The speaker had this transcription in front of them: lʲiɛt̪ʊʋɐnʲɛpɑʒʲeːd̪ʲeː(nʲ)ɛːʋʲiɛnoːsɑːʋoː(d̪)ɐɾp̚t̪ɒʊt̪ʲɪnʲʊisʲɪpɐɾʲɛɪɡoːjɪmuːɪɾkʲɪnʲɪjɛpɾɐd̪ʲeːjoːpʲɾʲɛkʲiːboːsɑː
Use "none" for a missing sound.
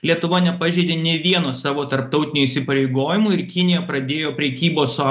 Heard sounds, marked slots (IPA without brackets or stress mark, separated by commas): nʲ, t̪